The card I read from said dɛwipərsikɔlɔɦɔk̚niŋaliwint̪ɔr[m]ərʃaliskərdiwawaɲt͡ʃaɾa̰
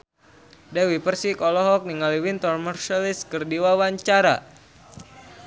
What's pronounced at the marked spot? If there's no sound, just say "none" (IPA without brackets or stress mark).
m